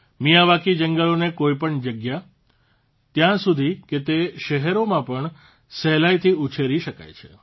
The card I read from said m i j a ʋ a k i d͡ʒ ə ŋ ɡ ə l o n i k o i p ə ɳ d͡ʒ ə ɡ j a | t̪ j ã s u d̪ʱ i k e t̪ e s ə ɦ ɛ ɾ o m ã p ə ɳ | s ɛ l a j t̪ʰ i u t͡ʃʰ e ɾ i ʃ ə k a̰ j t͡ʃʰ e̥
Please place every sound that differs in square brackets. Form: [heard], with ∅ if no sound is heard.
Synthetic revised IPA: m i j a ʋ a k i d͡ʒ ə ŋ ɡ ə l o n [e] k o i p ə ɳ d͡ʒ ə ɡ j a | t̪ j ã s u d̪ʱ i k e t̪ e [ʃ] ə ɦ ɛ ɾ o m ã p ə ɳ | s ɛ l a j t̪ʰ i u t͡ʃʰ e ɾ i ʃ ə k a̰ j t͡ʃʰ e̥